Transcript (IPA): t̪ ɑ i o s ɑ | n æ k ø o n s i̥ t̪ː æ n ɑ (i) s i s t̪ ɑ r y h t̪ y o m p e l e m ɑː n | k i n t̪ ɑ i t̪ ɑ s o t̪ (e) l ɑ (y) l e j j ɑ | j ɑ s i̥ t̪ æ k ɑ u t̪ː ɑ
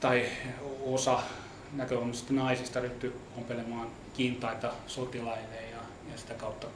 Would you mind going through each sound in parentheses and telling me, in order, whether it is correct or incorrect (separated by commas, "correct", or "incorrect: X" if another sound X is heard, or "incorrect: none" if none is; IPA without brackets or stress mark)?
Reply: correct, incorrect: i, incorrect: i